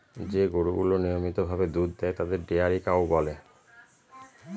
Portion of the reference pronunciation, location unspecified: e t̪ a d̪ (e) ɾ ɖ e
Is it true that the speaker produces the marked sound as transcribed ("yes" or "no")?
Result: yes